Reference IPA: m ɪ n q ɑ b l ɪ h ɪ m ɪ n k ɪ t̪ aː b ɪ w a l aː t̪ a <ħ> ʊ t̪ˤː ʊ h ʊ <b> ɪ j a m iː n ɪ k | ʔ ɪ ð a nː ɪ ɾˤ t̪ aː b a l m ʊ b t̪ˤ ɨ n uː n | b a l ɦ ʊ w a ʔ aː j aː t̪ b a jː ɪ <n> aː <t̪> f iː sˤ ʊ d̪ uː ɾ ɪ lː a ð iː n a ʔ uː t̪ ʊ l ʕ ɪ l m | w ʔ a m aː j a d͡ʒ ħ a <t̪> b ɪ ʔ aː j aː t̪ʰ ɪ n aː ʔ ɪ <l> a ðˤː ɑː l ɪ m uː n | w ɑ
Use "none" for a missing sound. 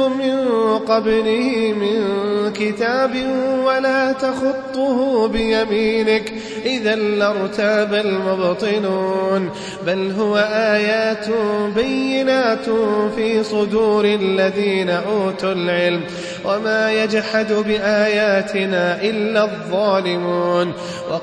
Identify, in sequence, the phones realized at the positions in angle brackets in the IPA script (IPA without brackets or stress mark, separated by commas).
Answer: x, b, n, t̪, d̪, lː